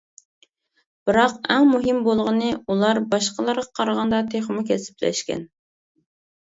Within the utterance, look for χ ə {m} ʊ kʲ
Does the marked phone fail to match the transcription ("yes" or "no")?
no